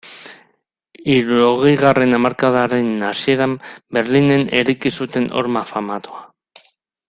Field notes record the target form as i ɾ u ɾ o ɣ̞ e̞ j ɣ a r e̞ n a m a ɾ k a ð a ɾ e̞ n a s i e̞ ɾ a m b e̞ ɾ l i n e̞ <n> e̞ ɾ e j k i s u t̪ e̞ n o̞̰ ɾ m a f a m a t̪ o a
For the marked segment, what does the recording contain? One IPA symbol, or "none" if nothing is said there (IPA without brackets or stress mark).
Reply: n